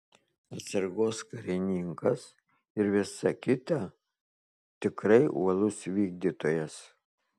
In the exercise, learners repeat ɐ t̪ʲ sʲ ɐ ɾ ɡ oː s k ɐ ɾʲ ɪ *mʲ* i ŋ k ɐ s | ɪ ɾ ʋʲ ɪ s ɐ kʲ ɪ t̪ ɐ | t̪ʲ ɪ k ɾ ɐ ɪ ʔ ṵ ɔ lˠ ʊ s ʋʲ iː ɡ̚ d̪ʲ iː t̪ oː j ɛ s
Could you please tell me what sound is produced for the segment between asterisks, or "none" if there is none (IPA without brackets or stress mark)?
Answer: nʲ